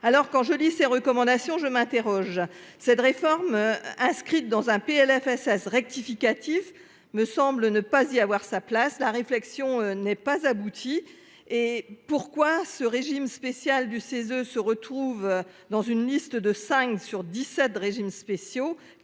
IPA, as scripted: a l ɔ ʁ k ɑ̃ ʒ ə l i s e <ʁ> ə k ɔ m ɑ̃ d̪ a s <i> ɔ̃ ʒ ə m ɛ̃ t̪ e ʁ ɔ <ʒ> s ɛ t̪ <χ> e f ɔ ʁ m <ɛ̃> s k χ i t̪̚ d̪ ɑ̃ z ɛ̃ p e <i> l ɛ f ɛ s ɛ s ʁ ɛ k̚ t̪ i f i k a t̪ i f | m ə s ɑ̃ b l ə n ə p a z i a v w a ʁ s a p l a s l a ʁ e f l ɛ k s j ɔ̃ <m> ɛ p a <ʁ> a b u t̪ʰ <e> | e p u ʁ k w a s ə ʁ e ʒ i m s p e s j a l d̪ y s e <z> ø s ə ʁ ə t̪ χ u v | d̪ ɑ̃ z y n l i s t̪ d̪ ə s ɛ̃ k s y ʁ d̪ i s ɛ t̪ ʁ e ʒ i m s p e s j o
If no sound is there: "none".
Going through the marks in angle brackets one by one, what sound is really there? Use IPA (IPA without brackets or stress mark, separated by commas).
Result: ʁ, j, ʒ, ʁ, ɛ̃, ɛ, n, z, i, z